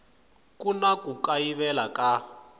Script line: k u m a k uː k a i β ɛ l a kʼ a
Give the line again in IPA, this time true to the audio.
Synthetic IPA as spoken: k u n a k u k a i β ɛ l a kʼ a